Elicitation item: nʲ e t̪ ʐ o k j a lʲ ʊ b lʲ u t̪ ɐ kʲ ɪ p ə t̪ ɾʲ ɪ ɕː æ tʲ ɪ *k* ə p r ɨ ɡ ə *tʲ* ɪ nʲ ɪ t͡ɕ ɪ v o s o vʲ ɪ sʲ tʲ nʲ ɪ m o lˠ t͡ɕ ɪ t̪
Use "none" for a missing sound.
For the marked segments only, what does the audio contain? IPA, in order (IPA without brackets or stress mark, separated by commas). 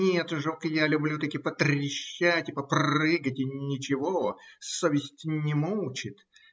p, tʲ